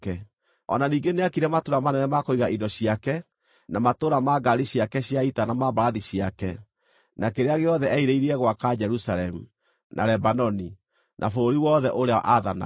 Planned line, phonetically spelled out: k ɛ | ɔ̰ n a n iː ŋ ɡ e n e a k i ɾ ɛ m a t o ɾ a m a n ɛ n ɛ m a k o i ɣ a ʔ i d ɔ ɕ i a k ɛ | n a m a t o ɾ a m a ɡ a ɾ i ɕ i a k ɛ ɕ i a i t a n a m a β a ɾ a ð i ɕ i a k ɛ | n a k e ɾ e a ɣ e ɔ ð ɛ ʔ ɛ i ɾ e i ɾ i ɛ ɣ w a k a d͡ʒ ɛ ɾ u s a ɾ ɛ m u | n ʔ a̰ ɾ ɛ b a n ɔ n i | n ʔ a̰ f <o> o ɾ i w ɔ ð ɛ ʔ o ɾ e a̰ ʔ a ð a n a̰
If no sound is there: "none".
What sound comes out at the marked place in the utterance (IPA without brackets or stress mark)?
o